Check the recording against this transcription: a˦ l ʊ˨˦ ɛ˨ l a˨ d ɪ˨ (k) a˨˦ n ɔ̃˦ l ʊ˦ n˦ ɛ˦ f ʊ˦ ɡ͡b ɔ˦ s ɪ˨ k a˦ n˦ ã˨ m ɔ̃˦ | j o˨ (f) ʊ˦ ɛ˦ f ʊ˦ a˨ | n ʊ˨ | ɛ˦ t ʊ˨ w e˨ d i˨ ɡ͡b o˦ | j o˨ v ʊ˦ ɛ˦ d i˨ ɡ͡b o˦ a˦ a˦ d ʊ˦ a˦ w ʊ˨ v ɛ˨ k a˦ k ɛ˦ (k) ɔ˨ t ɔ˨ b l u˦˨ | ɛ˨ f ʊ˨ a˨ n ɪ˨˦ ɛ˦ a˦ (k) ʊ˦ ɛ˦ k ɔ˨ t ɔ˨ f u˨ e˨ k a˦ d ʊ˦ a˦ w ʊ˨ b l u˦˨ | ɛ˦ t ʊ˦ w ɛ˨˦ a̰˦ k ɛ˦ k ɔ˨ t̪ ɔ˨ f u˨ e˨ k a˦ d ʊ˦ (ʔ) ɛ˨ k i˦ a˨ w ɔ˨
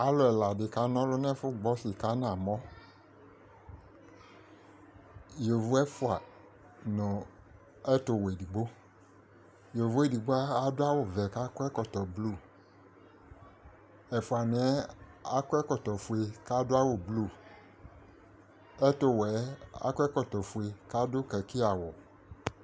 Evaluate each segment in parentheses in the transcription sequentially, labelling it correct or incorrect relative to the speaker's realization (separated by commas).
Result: correct, incorrect, correct, correct, incorrect